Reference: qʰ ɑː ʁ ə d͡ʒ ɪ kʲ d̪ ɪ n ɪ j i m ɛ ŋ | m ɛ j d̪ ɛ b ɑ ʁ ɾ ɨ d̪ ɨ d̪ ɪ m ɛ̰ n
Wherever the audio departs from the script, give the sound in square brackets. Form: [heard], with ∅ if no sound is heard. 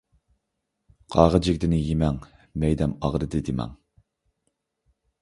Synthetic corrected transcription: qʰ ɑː ʁ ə d͡ʒ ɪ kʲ d̪ ɪ n ɪ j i m ɛ ŋ | m ɛ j d̪ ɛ [m] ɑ ʁ ɾ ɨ d̪ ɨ d̪ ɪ m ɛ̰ [ŋ]